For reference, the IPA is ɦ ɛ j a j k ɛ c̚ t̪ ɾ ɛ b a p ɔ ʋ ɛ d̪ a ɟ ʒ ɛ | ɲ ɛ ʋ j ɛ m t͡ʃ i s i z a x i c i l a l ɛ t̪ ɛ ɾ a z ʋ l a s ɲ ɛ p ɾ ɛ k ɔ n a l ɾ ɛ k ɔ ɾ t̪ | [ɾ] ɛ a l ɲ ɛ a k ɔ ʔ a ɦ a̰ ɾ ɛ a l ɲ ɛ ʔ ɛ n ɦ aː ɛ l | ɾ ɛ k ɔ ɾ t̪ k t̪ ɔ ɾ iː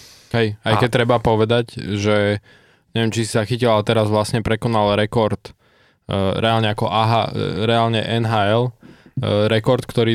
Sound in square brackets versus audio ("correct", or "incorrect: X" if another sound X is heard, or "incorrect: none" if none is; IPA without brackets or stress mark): correct